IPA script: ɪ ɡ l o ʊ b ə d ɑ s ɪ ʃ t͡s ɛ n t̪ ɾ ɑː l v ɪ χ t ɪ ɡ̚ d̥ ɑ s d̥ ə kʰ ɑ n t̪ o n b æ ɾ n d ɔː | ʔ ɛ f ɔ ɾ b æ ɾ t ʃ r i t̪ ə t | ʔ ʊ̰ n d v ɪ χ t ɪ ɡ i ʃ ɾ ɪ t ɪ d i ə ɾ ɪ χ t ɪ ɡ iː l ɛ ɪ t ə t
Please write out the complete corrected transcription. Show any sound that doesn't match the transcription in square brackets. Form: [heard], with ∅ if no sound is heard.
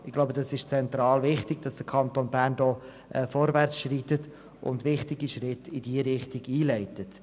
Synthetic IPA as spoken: ɪ ɡ l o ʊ b ə d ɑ s ɪ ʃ t͡s ɛ n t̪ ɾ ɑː l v ɪ χ t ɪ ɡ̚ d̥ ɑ s d̥ ə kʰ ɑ n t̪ o n b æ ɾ n d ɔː | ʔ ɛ f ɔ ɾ [v] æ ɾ [t͡s] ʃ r i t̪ ə t | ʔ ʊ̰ n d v ɪ χ t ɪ ɡ i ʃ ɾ ɪ t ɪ d i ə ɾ ɪ χ t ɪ ɡ iː l ɛ ɪ t ə t